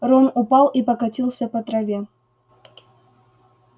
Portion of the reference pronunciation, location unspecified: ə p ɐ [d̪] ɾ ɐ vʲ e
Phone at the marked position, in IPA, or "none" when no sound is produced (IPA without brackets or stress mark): t̪